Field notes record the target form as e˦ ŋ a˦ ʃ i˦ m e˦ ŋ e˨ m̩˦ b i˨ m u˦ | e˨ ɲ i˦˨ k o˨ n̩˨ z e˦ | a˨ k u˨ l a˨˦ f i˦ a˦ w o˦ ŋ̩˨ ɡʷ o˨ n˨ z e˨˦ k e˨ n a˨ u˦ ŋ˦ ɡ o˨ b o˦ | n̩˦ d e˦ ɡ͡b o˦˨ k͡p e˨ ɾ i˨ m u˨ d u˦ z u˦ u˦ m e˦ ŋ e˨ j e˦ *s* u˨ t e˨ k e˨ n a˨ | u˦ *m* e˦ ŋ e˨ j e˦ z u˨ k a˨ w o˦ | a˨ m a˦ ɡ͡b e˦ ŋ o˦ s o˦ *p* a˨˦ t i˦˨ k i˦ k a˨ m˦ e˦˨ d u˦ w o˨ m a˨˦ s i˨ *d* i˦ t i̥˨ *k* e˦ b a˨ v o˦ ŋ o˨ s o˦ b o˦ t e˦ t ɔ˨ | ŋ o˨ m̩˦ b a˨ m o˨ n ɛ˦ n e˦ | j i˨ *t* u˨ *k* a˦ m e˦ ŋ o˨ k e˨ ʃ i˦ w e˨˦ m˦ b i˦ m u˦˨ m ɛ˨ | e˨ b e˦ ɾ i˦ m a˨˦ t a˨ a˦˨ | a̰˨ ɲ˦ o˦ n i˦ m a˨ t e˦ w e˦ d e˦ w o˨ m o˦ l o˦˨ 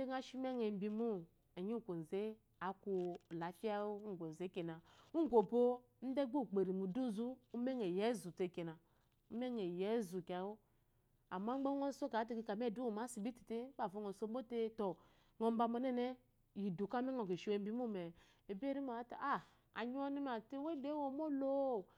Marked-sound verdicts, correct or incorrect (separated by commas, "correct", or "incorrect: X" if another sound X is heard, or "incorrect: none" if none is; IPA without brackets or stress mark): incorrect: z, correct, incorrect: k, incorrect: b, incorrect: t, incorrect: d, correct